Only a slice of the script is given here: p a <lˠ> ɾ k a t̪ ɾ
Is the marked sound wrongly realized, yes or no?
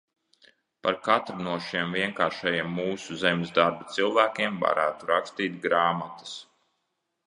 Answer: yes